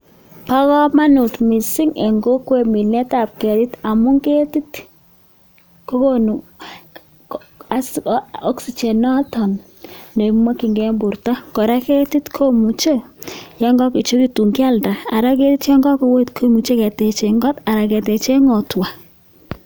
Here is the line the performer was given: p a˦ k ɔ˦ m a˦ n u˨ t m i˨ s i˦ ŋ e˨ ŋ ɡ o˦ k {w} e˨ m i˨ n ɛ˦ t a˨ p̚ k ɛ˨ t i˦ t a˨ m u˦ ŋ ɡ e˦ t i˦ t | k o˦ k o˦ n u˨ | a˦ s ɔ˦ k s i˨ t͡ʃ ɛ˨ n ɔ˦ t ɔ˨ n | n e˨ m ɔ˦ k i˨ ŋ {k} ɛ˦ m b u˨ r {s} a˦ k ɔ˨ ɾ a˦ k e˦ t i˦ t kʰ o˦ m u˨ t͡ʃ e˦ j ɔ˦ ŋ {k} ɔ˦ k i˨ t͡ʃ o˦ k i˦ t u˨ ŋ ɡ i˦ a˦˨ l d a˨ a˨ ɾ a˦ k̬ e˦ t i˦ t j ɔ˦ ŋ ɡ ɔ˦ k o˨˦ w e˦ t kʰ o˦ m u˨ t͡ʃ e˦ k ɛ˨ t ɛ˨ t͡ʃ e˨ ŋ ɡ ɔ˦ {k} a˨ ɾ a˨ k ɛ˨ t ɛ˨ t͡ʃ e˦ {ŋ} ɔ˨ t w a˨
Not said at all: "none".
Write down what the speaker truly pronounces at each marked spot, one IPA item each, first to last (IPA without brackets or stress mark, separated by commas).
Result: w, ɡ, t, ɡ, t, ŋ